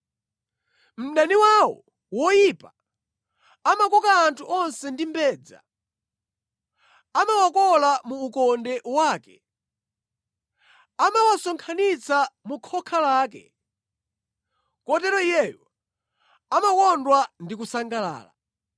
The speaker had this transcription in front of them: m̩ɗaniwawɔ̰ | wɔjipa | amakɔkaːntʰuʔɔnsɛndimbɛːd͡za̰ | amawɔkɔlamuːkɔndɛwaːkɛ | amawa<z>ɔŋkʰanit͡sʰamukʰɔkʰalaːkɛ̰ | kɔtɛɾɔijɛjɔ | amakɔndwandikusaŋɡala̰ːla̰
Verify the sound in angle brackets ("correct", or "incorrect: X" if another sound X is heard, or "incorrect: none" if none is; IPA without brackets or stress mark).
incorrect: s